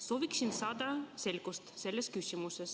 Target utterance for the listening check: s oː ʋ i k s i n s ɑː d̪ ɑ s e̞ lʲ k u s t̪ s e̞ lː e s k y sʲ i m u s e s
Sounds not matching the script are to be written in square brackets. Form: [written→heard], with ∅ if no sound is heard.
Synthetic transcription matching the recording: s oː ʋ i k s i n s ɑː d̪ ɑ s e̞ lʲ k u s t̪ s e̞ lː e s k y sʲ i m u s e s

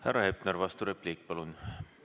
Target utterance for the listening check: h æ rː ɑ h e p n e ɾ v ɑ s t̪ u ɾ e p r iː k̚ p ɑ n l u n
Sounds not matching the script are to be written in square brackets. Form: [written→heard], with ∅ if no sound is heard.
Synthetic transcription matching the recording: h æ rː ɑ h e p n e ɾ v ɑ s t̪ u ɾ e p [r→l] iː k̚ p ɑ [n→∅] l u n

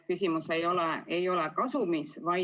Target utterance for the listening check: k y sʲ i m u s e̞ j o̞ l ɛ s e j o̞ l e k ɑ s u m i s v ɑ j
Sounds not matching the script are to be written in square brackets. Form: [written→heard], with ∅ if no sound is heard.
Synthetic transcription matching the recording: k y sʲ i m u s e̞ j o̞ l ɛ [s→∅] e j o̞ l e k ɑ s u m i s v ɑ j

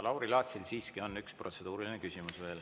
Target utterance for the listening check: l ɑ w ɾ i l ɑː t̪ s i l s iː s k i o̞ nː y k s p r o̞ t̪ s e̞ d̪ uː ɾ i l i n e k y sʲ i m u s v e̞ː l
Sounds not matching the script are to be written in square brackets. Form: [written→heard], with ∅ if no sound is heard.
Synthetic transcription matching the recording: l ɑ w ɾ i l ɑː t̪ s i l s iː s k i o̞ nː y k s p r o̞ t̪ s e̞ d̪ uː ɾ i l i n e k y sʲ i m u s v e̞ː l

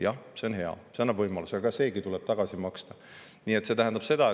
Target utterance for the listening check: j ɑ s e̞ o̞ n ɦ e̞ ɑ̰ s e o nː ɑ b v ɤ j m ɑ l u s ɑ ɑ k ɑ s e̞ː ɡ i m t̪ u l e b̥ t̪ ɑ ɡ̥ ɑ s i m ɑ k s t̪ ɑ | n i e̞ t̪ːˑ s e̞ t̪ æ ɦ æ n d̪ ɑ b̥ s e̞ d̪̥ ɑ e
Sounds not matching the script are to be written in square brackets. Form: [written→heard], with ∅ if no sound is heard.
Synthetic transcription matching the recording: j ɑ s e̞ o̞ n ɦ e̞ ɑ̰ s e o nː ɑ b v ɤ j m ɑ l u s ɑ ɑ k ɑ s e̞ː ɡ i [m→∅] t̪ u l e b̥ t̪ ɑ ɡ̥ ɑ s i m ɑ k s t̪ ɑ | n i e̞ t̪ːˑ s e̞ t̪ æ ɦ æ n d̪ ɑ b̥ s e̞ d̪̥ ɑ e

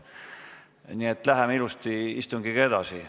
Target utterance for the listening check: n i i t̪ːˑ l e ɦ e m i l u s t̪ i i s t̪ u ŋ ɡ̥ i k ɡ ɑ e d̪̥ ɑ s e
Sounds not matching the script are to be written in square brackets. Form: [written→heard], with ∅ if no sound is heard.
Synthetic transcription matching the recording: n i [i→e] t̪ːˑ l [e→æ] ɦ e m i l u s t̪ i i s t̪ u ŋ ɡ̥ i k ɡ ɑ e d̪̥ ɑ s [e→i]

